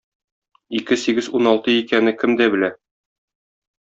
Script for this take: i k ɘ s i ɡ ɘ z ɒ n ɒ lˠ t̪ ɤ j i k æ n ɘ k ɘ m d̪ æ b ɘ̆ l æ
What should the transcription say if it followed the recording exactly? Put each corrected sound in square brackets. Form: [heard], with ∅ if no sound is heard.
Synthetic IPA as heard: i k ɘ s i ɡ ɘ z [u] n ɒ lˠ t̪ ɤ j i k æ n ɘ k ɘ m d̪ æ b ɘ̆ l æ

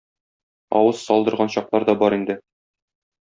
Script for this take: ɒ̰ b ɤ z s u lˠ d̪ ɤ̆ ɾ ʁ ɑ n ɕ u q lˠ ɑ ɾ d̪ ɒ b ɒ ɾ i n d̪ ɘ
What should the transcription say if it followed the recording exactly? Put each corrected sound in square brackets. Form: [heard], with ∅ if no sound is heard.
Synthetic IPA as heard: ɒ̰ [w] ɤ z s [ɒ] lˠ d̪ ɤ̆ ɾ ʁ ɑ n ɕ [ɒ] q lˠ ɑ ɾ d̪ ɒ b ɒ ɾ i n d̪ ɘ

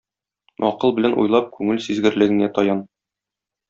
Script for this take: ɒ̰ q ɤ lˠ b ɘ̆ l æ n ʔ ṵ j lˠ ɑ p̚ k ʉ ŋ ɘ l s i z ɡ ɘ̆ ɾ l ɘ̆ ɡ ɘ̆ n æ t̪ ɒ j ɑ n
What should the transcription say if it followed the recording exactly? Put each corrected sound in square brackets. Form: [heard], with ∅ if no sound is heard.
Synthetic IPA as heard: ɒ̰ q ɤ lˠ b ɘ̆ l æ n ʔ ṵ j lˠ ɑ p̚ k ʉ ŋ ɘ l s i z ɡ ɘ̆ ɾ l ɘ̆ ɡ ɘ̆ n æ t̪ ɒ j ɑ n

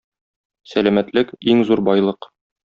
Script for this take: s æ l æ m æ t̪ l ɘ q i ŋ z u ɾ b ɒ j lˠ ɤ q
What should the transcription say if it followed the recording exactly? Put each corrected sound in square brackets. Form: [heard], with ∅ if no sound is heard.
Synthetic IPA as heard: s æ l æ m æ t̪ l ɘ [k] i ŋ z u ɾ b ɒ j lˠ ɤ q

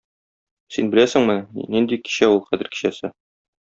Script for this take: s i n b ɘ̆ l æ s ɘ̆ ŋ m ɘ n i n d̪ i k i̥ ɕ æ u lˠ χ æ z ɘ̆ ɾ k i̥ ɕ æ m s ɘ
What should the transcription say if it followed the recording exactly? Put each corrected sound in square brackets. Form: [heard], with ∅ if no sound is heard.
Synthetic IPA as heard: s i n b ɘ̆ l æ s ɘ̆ ŋ m ɘ n i n d̪ i k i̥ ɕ æ u lˠ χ æ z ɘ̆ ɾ k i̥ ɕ æ [∅] s ɘ

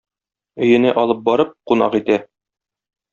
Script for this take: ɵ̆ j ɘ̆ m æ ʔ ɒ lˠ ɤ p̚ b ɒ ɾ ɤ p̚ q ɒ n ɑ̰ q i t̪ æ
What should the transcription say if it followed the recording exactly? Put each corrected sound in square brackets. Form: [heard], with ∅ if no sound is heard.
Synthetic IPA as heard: ɵ̆ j ɘ̆ [n] æ ʔ ɒ lˠ ɤ p̚ b ɒ ɾ ɤ p̚ q [u] n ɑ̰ q i t̪ æ

